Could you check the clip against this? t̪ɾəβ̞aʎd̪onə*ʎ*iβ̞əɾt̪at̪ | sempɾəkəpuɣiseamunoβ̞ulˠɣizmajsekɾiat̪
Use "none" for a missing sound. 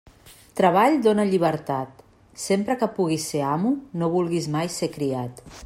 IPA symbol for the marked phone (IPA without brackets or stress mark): ʎ